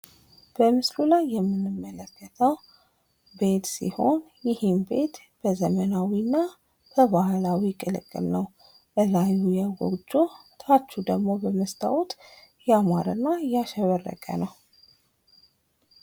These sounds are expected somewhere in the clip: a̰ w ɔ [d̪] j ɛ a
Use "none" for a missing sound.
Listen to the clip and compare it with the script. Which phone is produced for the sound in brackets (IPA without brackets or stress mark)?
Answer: t̪